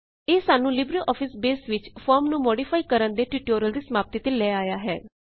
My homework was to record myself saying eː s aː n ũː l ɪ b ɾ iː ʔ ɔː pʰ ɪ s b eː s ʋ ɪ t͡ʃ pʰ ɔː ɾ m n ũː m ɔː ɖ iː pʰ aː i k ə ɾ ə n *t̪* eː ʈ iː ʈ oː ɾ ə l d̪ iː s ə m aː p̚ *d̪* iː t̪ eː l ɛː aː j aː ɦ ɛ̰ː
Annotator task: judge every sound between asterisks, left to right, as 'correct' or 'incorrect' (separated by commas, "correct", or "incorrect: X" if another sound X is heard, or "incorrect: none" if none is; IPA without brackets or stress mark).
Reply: incorrect: d̪, incorrect: t̪